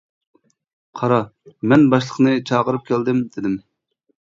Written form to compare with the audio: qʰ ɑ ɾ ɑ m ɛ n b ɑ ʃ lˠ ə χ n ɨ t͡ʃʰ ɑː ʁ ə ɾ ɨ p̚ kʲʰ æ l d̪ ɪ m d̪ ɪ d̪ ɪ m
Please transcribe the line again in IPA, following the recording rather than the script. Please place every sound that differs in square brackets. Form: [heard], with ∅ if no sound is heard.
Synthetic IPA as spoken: qʰ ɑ ɾ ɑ m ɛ n b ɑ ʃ lˠ ə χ n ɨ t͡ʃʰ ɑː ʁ ə ɾ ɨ p̚ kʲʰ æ l d̪ ɪ m d̪ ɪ d̪ ɪ m